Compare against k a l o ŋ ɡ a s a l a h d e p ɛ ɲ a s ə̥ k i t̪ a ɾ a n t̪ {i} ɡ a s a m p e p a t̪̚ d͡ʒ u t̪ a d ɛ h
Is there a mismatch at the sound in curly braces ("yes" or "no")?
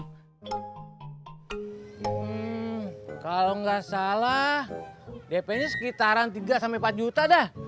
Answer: no